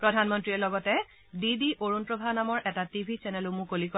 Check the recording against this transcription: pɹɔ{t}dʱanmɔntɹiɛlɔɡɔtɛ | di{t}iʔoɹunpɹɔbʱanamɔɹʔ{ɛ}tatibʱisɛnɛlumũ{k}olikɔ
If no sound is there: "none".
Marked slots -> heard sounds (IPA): none, d, ɛ, k

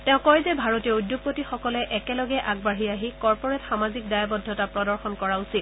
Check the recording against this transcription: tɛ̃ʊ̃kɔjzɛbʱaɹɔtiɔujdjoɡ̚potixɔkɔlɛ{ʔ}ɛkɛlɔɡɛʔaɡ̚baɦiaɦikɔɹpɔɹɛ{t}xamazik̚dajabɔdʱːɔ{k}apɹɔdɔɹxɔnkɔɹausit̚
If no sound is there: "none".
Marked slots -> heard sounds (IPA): ʔ, t, t

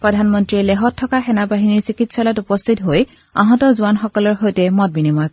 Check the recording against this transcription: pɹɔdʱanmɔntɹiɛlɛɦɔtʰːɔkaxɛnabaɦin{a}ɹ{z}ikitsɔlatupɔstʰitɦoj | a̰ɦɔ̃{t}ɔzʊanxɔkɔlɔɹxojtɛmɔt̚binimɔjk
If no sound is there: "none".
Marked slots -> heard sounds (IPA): i, s, t

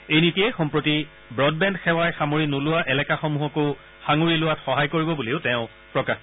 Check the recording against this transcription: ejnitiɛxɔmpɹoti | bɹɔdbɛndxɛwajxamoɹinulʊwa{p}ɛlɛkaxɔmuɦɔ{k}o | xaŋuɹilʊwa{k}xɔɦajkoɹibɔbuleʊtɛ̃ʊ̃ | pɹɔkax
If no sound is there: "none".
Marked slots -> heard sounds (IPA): ʔ, k, t

